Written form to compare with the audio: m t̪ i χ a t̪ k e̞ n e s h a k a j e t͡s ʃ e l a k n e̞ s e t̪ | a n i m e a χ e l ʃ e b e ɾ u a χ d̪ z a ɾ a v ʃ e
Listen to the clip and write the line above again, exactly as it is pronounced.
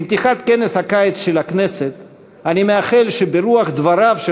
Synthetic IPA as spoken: m t̪ i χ a t̪ k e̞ n e s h a k a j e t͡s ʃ e l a k n e̞ s e t̪ | a n i m e a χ e l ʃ e b e ɾ u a χ d̪ v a ɾ a v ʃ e